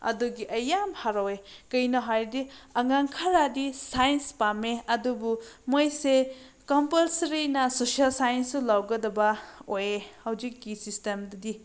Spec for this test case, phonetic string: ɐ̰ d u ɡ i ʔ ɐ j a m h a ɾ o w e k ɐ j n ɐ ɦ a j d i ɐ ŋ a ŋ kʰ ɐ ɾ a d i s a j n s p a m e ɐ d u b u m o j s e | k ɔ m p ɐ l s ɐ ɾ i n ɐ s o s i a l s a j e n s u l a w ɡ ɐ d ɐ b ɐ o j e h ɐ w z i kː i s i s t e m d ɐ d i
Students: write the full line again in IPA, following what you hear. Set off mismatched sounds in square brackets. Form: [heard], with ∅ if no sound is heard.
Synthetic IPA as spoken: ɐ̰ d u ɡ i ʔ ɐ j a m h a ɾ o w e k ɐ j n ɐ ɦ a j d i ɐ ŋ a ŋ kʰ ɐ ɾ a d i s a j n s p a m e ɐ d u b u m o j s e | k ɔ m p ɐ l s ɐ ɾ i n ɐ s o s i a l s a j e n s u l a w ɡ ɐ d ɐ b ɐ o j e h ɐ w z i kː i s i s t e m d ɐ d i

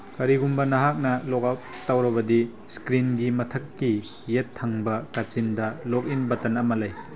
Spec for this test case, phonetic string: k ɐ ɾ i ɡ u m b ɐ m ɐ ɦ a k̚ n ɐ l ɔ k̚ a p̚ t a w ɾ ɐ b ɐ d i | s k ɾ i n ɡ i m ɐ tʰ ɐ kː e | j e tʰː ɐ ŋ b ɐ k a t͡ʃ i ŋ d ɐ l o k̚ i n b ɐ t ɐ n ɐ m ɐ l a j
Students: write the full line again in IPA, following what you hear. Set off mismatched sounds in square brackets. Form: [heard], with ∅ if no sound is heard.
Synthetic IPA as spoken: k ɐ ɾ i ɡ u m b ɐ [n] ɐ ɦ a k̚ n ɐ l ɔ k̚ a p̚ t a w ɾ ɐ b ɐ d i | s k ɾ i n ɡ i m ɐ tʰ ɐ kː [i] | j e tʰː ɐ ŋ b ɐ k a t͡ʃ i [n] d ɐ l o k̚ i n b ɐ t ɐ n ɐ m ɐ l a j

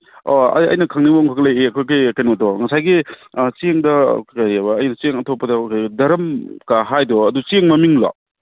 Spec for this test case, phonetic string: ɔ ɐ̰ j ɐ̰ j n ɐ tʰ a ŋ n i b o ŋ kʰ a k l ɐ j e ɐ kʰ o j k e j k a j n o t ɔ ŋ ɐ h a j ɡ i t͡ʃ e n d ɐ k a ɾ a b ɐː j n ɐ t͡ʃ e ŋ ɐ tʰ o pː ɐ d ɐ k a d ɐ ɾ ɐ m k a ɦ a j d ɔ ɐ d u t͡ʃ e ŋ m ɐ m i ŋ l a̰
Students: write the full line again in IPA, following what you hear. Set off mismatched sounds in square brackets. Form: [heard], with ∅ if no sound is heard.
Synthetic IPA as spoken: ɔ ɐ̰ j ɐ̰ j n ɐ [kʰ] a ŋ n i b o ŋ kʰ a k l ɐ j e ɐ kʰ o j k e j k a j n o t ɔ ŋ ɐ [s] a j ɡ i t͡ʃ e [ŋ] d ɐ k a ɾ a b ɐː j n ɐ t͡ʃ e ŋ ɐ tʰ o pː ɐ d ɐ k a d ɐ ɾ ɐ m k a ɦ a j d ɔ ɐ d u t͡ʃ e ŋ m ɐ m i ŋ l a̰

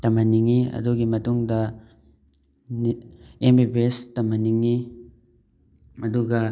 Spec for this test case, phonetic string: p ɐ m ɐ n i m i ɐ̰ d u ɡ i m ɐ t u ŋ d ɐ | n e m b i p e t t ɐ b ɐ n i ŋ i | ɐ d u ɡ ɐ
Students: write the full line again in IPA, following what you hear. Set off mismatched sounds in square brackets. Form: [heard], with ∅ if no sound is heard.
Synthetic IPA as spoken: [t] ɐ m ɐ n i [ŋ] i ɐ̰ d u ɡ i m ɐ t u ŋ d ɐ | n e m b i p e [s] t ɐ [m] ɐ n i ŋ i | ɐ d u ɡ ɐ

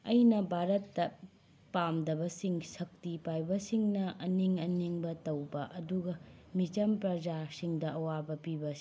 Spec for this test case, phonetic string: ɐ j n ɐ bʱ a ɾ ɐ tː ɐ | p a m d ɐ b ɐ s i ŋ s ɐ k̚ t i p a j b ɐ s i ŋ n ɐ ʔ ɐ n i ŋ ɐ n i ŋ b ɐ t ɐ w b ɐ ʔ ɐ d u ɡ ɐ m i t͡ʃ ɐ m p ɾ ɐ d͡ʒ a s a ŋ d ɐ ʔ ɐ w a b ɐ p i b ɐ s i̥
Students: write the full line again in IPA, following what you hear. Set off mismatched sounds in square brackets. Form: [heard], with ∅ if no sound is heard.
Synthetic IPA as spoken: ɐ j n ɐ bʱ a ɾ ɐ tː ɐ | p a m d ɐ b ɐ s i ŋ s ɐ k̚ t i p a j b ɐ s i ŋ n ɐ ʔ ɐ n i ŋ ɐ n i ŋ b ɐ t ɐ w b ɐ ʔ ɐ d u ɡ ɐ m i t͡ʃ ɐ m p ɾ ɐ d͡ʒ a s [i] ŋ d ɐ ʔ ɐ w a b ɐ p i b ɐ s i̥

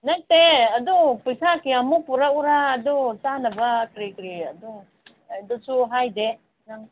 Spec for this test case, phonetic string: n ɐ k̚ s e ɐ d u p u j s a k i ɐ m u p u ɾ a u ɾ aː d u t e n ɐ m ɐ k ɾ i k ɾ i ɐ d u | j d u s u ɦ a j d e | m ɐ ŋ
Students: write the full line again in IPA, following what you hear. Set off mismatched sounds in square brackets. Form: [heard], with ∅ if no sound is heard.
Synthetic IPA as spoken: n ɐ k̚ [t] e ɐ d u p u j s a k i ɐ m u p u ɾ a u ɾ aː d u t [a] n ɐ [b] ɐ k ɾ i k ɾ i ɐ d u | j d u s u ɦ a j d e | [n] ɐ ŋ

